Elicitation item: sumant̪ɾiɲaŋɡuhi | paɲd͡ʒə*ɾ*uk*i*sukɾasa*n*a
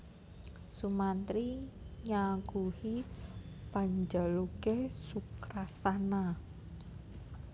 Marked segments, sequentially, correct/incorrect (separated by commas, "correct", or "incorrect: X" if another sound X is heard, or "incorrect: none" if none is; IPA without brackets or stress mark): incorrect: l, incorrect: e, correct